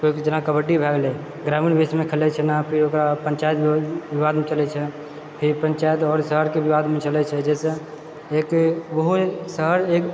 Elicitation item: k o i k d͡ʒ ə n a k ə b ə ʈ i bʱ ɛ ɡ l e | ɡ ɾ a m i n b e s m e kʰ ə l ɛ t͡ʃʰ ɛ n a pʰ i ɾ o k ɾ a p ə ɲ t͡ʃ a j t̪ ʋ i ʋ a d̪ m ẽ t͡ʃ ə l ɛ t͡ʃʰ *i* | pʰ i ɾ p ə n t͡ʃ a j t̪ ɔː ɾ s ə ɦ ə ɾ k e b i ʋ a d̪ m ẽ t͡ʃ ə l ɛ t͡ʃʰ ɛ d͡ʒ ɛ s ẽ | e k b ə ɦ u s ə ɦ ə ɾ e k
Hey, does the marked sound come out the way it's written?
no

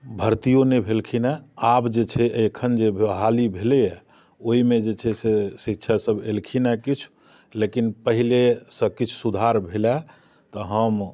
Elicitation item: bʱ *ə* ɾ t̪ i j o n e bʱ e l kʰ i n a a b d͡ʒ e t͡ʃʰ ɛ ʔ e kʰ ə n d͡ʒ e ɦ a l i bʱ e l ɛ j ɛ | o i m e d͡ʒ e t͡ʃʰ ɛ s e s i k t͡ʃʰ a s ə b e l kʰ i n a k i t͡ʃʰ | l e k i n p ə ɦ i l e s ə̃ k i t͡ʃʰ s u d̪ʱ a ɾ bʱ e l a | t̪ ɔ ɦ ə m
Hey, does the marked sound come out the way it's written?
yes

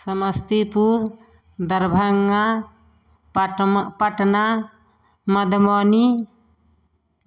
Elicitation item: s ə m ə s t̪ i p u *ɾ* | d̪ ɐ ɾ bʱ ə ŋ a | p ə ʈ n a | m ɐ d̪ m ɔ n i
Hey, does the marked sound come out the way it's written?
yes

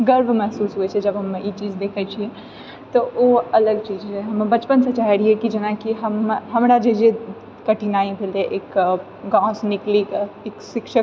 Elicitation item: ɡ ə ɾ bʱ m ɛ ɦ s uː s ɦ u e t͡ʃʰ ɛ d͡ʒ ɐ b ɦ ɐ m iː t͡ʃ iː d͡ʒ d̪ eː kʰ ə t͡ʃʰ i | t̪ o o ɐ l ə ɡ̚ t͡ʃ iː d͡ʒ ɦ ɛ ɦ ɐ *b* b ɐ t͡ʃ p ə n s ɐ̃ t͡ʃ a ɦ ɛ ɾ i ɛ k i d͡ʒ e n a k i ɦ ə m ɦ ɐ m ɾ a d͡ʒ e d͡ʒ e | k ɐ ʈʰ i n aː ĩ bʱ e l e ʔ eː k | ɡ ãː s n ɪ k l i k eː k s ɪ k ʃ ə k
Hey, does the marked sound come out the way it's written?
no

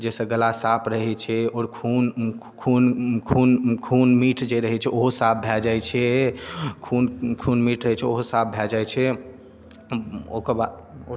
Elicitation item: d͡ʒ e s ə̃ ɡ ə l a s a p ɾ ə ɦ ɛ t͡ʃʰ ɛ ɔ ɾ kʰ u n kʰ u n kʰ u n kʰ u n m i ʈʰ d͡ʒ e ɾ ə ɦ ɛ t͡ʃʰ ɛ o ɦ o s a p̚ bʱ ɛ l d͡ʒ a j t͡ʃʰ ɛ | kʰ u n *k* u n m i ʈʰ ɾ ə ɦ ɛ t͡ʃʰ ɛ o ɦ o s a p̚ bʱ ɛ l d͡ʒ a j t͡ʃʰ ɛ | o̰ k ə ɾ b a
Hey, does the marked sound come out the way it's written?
no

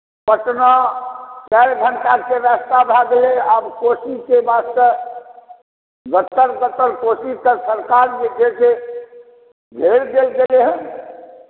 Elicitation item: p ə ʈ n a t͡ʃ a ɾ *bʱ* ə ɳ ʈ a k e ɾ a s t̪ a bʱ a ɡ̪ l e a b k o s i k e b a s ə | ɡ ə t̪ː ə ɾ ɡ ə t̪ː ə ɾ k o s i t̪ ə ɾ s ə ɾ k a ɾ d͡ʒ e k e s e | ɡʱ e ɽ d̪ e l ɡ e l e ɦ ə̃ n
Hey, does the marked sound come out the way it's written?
no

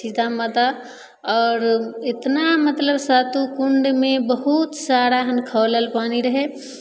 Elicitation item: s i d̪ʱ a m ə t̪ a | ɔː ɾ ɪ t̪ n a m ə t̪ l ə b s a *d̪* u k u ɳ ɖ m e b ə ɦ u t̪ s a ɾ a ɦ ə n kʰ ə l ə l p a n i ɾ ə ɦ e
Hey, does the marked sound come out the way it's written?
no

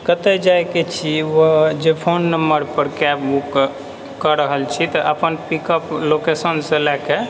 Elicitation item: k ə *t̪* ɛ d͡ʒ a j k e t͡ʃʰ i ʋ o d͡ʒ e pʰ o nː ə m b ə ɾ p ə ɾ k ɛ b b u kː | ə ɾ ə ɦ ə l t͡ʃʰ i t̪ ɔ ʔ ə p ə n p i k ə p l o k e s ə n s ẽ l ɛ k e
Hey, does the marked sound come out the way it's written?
yes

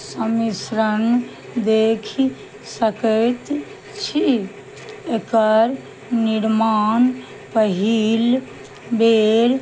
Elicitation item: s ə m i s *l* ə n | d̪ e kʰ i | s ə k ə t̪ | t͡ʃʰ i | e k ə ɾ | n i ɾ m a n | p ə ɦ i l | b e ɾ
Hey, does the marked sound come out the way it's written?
no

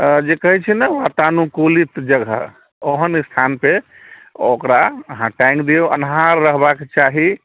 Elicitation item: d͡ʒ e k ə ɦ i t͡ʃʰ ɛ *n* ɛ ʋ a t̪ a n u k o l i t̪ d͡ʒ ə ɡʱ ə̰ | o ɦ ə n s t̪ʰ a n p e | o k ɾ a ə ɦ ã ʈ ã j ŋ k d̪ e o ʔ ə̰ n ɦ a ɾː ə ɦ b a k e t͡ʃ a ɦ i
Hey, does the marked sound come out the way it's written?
yes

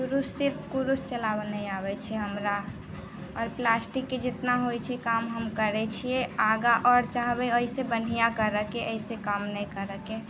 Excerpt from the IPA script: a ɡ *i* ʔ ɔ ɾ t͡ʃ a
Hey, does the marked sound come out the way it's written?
no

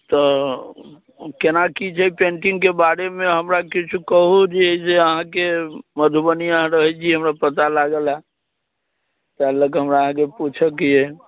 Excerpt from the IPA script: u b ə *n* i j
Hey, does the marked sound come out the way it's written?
yes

